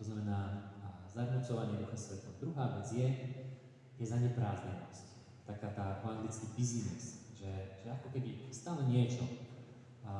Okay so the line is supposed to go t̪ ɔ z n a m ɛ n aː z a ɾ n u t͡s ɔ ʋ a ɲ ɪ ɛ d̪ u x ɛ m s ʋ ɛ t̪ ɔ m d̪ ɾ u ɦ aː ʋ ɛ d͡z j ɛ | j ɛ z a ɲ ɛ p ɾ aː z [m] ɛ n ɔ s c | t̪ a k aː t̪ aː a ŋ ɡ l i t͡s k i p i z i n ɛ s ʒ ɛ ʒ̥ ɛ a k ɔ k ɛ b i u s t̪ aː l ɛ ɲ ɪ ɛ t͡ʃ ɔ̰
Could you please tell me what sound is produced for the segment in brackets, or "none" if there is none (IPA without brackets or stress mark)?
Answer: ɲ